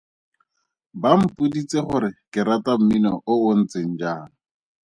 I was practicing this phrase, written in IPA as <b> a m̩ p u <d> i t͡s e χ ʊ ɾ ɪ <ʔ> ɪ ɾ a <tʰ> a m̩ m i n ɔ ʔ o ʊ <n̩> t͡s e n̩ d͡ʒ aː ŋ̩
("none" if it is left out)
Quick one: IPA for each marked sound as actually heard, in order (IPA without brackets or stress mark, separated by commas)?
b, d, k, t, n̩